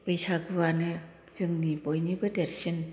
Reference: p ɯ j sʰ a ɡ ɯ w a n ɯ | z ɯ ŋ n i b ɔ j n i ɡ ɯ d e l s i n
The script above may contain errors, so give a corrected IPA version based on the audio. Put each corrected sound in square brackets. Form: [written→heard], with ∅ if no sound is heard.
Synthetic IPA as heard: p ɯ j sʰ a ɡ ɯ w a n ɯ | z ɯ ŋ n i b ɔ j n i [ɡ→b] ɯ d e [l→ɾ] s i n